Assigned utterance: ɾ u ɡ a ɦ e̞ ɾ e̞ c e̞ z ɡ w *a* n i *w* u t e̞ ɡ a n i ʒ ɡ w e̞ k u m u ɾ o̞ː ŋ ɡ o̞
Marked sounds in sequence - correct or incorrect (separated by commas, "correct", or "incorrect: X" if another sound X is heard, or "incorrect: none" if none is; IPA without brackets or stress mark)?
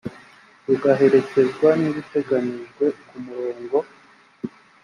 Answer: correct, incorrect: β